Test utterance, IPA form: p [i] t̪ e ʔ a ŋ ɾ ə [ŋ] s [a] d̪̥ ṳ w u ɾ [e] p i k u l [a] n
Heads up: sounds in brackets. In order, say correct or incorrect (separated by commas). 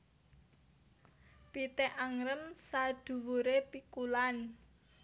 correct, incorrect, correct, correct, correct